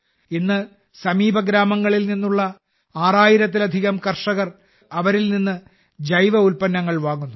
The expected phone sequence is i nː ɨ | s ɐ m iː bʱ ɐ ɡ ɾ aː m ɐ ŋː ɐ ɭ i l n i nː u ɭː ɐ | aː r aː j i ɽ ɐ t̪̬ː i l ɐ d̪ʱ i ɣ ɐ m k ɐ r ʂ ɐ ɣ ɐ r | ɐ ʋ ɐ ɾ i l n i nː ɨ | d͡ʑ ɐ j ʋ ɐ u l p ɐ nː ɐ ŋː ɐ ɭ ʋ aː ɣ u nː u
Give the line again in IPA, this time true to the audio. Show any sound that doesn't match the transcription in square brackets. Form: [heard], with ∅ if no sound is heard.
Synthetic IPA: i nː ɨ | s ɐ m iː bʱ ɐ ɡ ɾ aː m ɐ ŋː ɐ ɭ i l n i nː u ɭː ɐ | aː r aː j i [ɾ] ɐ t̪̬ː i l ɐ d̪ʱ i ɣ ɐ m k ɐ r ʂ ɐ ɣ ɐ r | ɐ ʋ ɐ ɾ i l n i nː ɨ | d͡ʑ ɐ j ʋ ɐ u l p ɐ nː ɐ ŋː ɐ ɭ ʋ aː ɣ u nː u

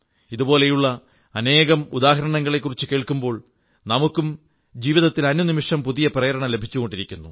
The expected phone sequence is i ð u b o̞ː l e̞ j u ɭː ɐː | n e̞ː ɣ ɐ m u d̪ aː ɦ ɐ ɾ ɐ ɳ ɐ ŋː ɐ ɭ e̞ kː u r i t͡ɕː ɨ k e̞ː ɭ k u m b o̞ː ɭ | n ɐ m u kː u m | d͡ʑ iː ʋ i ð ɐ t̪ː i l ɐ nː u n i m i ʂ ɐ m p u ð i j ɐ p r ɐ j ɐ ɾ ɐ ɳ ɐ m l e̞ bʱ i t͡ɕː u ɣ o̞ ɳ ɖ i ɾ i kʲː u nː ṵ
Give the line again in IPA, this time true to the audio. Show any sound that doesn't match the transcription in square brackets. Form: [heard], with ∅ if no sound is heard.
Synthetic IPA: i ð u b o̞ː l e̞ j u ɭː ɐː | n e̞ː ɣ ɐ m u d̪ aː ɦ ɐ ɾ ɐ ɳ ɐ ŋː ɐ ɭ e̞ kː u r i t͡ɕː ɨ k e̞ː ɭ k u m b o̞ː ɭ | n ɐ m u kː u m | d͡ʑ iː ʋ i ð ɐ t̪ː i l ɐ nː u n i m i ʂ ɐ m p u ð i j ɐ p r ɐ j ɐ ɾ ɐ ɳ ɐ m l e̞ bʱ i t͡ɕː u ɣ o̞ ɳ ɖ i ɾ i kʲː u nː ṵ

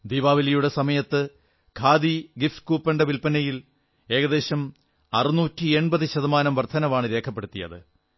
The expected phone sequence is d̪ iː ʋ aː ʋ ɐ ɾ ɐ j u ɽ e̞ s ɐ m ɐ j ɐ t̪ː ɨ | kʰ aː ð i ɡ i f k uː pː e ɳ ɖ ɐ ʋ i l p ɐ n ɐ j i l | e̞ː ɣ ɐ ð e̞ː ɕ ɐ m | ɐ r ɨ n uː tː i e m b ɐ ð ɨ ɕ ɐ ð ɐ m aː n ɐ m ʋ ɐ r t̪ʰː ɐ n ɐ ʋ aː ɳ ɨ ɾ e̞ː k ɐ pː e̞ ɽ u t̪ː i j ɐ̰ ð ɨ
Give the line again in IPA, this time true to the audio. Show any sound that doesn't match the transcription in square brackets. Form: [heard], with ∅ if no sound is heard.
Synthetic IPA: d̪ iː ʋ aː ʋ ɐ [l] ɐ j u ɽ e̞ s ɐ m ɐ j ɐ t̪ː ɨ | kʰ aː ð i ɡ i f k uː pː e ɳ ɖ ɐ ʋ i l p ɐ n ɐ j i l | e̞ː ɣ ɐ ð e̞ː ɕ ɐ m | ɐ r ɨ n uː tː i e [ɳ] b ɐ ð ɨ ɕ ɐ ð ɐ m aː n ɐ m ʋ ɐ r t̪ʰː ɐ n ɐ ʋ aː ɳ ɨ ɾ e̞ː [kʰ] ɐ pː e̞ ɽ u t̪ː i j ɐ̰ ð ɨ

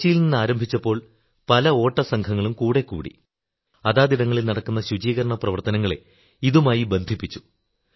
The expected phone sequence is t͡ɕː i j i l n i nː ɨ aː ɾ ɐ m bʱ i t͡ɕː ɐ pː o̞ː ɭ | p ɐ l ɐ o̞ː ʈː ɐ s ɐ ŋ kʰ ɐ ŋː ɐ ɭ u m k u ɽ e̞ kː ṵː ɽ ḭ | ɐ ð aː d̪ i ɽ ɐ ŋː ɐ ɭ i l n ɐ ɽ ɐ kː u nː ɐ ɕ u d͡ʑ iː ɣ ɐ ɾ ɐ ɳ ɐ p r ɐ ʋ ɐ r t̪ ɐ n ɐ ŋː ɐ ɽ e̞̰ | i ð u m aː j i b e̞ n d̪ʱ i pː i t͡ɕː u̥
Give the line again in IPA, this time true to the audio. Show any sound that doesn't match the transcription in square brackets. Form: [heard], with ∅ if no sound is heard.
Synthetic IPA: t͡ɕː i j i l n i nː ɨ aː ɾ ɐ m bʱ i t͡ɕː ɐ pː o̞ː ɭ | p ɐ l ɐ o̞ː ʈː ɐ s ɐ ŋ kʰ ɐ ŋː ɐ ɭ u m k [uː] ɽ e̞ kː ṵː ɽ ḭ | ɐ ð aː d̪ i ɽ ɐ ŋː ɐ ɭ i l n ɐ ɽ ɐ kː u nː ɐ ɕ u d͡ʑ iː ɣ ɐ ɾ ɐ ɳ ɐ p r ɐ ʋ ɐ r t̪ ɐ n ɐ ŋː ɐ [ɭ] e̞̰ | i ð u m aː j i b e̞ n d̪ʱ i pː i t͡ɕː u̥

